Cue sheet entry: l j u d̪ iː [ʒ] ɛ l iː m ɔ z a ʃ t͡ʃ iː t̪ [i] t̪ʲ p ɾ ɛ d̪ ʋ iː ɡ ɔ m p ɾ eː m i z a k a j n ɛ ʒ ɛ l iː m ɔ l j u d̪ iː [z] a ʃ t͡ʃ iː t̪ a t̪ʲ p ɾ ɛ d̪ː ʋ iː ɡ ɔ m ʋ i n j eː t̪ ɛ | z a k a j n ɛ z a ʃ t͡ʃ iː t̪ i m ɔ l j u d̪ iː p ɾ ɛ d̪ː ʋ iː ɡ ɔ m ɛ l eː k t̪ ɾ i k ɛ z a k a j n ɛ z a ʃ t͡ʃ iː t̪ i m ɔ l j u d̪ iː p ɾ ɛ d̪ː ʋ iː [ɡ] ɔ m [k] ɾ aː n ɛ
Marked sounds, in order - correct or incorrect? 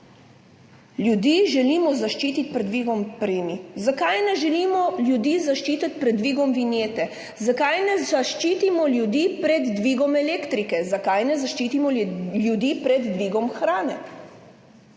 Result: correct, correct, correct, correct, incorrect: x

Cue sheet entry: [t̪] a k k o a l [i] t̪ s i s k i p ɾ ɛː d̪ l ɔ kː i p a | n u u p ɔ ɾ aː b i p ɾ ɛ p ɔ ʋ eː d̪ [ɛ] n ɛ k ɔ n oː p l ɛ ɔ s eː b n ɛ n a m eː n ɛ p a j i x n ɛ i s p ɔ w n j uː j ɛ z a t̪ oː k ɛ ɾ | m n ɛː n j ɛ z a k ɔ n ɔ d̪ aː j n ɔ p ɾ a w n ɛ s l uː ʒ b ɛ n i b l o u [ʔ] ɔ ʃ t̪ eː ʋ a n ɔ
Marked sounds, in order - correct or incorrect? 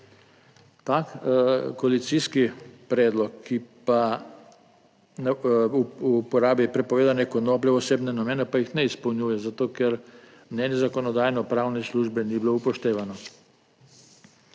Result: correct, correct, incorrect: a, incorrect: p

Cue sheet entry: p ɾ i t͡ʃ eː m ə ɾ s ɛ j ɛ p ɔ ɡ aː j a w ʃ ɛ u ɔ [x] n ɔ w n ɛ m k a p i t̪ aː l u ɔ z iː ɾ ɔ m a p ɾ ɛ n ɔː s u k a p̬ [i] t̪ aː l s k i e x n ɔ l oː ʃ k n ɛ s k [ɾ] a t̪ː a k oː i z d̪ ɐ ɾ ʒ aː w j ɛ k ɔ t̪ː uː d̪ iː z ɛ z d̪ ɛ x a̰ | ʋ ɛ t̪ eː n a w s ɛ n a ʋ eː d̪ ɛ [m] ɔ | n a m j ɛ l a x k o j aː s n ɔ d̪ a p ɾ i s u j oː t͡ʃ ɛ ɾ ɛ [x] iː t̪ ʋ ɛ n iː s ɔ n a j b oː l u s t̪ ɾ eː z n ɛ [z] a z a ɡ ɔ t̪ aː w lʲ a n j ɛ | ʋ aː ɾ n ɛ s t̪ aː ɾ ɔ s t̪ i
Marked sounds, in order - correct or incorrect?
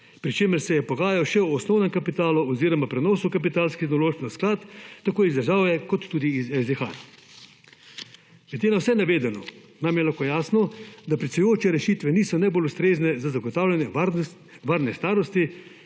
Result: incorrect: s, correct, incorrect: l, incorrect: n, incorrect: ʃ, correct

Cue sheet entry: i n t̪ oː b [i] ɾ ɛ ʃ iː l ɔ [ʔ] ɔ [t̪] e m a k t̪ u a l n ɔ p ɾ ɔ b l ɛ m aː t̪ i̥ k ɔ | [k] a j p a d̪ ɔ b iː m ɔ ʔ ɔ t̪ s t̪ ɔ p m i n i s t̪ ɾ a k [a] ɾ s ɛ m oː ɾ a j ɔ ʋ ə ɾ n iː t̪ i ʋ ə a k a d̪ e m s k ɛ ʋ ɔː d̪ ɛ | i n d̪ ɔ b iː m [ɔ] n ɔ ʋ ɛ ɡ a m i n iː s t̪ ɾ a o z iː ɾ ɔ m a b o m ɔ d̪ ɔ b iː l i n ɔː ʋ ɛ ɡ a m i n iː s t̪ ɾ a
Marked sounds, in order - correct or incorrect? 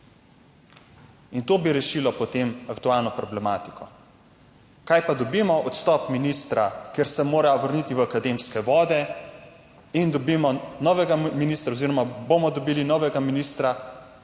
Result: correct, incorrect: p, correct, correct, incorrect: e, correct

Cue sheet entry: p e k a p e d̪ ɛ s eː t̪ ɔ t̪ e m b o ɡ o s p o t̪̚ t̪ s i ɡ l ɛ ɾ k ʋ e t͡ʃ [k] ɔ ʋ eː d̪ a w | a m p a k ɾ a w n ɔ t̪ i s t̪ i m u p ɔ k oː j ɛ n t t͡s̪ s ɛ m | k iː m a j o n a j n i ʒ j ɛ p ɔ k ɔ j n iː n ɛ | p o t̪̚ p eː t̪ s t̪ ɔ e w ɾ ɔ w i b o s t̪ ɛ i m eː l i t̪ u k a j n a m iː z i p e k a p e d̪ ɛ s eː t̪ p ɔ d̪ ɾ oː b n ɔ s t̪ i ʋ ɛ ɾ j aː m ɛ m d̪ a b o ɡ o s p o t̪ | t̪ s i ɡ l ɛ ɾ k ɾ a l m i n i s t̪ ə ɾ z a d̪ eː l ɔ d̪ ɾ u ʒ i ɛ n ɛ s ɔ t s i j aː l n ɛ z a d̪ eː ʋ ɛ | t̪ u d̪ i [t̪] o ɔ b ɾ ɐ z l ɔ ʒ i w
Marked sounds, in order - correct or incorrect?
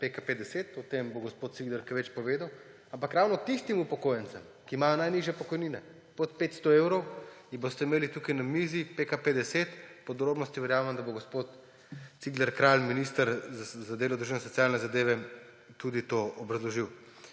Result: incorrect: p, correct

